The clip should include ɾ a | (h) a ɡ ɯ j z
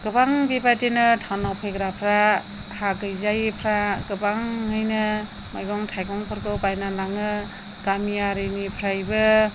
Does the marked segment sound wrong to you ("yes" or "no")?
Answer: no